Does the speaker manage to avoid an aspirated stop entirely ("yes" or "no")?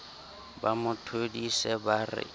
no